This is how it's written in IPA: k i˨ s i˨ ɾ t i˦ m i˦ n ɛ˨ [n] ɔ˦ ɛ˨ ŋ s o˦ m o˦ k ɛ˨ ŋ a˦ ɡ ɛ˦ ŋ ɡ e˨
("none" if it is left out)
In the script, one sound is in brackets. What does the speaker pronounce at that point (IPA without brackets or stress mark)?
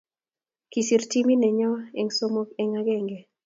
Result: ɲ